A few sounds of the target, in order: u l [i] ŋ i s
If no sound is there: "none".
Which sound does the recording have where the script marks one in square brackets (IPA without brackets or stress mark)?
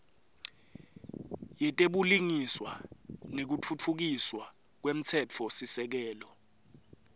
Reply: i